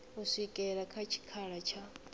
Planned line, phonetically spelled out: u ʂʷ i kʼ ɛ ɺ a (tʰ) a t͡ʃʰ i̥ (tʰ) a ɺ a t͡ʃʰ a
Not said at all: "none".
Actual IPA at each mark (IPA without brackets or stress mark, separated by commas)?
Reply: kʰ, kʰ